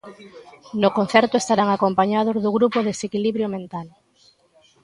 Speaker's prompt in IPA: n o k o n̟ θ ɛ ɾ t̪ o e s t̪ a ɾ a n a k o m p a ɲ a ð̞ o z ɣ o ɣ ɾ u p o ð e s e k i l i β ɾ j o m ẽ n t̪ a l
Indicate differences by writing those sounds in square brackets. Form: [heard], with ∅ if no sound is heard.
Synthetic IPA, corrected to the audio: n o k o n̟ θ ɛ ɾ t̪ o e s t̪ a ɾ a [ŋ] a k o m p a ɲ a ð̞ o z [ð] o ɣ ɾ u p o ð e s e k i l i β ɾ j o m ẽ n t̪ a l